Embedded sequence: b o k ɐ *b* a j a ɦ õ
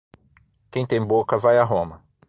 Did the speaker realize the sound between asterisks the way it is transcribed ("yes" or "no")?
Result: no